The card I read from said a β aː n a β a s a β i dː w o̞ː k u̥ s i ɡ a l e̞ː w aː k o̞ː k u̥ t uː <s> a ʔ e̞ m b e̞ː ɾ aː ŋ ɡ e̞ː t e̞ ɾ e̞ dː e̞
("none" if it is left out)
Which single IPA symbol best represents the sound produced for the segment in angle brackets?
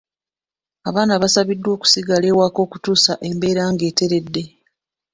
s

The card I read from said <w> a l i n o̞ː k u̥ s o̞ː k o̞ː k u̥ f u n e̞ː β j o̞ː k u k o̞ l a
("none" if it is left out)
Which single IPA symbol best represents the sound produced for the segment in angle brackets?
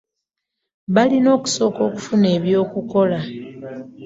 β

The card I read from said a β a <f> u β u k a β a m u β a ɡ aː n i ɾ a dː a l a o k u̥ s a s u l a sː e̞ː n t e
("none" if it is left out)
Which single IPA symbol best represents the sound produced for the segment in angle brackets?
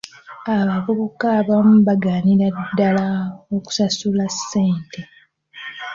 v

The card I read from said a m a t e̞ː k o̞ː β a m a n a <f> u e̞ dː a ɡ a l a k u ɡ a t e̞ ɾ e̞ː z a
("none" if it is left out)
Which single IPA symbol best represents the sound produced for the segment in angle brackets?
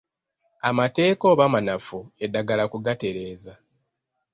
f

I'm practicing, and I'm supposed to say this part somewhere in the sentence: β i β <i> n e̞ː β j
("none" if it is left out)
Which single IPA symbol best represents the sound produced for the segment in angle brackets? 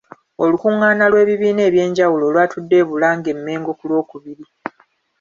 iː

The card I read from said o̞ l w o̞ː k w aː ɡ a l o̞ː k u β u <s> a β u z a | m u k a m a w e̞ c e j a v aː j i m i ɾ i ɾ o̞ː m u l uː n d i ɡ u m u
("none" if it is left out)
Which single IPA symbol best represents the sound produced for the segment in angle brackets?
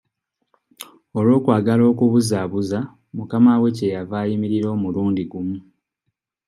z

